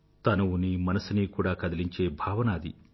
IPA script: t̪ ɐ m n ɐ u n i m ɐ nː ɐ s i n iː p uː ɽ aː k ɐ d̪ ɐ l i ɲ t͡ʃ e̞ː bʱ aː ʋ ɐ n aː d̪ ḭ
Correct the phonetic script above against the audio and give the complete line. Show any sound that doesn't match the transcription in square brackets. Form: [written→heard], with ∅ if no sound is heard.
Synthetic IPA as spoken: t̪ ɐ [m→∅] n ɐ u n i m ɐ [nː→n] ɐ s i n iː [p→k] uː ɽ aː k ɐ d̪ ɐ l i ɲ t͡ʃ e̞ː bʱ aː ʋ ɐ n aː d̪ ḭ